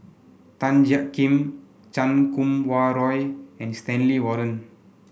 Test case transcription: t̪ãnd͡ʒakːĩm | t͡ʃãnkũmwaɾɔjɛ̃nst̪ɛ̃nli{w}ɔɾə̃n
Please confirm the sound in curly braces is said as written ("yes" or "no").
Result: yes